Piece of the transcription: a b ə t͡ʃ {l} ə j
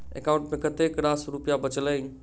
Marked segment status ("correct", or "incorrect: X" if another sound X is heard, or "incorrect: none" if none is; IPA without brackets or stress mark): correct